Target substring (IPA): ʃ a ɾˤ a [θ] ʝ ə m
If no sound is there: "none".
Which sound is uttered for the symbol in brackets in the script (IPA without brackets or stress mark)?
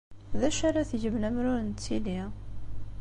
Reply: θ